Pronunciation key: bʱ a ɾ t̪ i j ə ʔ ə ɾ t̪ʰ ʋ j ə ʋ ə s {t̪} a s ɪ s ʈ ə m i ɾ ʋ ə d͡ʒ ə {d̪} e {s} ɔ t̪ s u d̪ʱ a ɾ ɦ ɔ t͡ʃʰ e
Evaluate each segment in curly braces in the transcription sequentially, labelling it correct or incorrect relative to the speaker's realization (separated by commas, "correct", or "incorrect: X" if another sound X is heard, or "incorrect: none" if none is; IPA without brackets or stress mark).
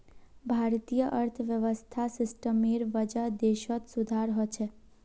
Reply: incorrect: t̪ʰ, correct, incorrect: ʃ